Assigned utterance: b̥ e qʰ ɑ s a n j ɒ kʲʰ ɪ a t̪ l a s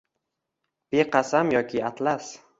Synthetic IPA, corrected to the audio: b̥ e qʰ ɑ s a m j ɒ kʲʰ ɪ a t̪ l a s